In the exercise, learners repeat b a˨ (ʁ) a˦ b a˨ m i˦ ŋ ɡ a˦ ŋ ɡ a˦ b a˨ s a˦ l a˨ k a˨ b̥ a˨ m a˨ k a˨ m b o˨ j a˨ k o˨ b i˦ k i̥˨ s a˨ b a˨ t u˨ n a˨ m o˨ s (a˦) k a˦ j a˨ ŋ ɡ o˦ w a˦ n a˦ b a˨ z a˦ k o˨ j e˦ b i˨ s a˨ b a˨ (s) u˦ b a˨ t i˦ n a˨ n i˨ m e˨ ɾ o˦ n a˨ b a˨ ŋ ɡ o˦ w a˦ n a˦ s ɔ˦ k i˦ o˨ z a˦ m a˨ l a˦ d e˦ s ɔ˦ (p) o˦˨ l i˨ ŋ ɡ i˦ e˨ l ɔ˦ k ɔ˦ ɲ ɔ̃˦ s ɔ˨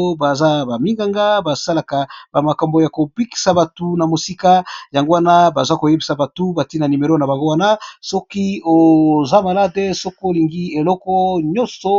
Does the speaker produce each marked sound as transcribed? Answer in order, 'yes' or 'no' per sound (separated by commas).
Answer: no, no, no, no